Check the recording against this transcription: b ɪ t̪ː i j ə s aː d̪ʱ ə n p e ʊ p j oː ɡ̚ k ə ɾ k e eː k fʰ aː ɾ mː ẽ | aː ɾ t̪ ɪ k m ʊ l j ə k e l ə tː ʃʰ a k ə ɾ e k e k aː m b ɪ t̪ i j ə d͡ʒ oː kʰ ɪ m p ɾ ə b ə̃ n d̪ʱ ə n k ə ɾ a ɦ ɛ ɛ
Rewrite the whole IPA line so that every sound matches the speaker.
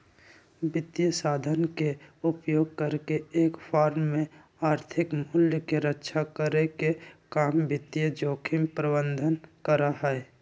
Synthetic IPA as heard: b ɪ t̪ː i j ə s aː d̪ʱ ə n k e ʊ p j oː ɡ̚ k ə ɾ k e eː k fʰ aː ɾ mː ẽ | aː ɾ t̪ʰ ɪ k m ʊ l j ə k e ɾ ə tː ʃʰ a k ə ɾ e k e k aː m b ɪ t̪ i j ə d͡ʒ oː kʰ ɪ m p ɾ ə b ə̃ n d̪ʱ ə n k ə ɾ a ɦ ɛ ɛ